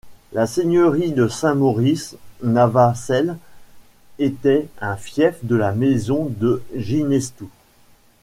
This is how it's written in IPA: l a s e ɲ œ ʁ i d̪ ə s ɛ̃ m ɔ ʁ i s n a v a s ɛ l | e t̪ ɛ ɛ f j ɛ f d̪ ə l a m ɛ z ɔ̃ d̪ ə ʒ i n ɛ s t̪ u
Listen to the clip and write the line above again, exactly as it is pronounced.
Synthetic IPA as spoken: l a s e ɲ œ ʁ i d̪ ə s ɛ̃ m ɔ ʁ i s n a v a s ɛ l | e t̪ ɛ ɛ̃ f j ɛ f d̪ ə l a m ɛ z ɔ̃ d̪ ə ʒ i n ɛ s t̪ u